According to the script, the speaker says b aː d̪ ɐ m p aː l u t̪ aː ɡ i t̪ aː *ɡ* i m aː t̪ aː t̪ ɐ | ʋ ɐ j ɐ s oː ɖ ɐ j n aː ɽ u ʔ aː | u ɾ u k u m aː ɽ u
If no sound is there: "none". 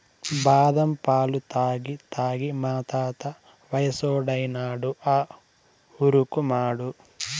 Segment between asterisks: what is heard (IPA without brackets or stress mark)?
ɡ